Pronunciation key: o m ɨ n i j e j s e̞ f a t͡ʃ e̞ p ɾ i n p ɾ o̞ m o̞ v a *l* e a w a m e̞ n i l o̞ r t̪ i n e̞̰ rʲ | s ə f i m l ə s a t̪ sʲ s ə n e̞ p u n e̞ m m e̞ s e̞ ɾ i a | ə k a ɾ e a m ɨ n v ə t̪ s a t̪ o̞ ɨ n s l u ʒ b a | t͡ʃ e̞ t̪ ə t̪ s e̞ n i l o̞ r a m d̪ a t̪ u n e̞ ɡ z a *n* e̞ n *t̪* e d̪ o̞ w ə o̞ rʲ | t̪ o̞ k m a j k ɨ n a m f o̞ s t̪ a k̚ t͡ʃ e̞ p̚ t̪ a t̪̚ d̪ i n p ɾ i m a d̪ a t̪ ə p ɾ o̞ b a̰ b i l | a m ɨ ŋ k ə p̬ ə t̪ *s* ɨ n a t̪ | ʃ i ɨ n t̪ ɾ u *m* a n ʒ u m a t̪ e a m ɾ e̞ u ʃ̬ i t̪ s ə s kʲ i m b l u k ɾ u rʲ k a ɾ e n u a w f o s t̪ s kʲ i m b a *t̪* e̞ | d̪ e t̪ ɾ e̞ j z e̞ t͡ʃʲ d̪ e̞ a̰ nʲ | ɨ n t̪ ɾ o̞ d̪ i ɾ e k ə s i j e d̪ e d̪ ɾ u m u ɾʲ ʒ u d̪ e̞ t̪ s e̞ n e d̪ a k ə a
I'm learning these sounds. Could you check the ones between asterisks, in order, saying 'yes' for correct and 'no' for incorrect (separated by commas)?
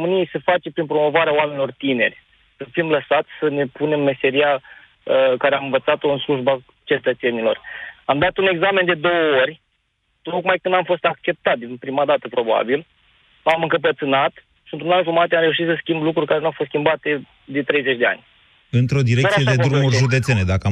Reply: no, no, no, yes, no, yes